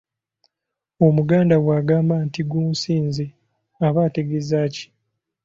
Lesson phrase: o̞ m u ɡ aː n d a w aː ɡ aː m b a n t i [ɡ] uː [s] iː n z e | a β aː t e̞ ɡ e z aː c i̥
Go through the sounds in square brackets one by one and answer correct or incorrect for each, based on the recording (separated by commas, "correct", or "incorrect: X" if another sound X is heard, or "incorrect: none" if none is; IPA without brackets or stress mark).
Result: correct, correct